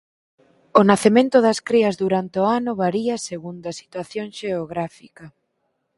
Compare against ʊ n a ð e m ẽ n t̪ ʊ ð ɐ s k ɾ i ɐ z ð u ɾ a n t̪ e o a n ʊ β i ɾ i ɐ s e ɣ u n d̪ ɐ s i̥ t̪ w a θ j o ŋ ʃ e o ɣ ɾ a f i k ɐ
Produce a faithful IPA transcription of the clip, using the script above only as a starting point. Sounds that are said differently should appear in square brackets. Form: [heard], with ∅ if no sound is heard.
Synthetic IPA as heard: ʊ n a [θ] e m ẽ n t̪ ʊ ð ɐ s k ɾ i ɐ z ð u ɾ a n t̪ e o a n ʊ β [a] ɾ i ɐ s e ɣ u n d̪ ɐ s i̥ t̪ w a θ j o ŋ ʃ e o ɣ ɾ a f i k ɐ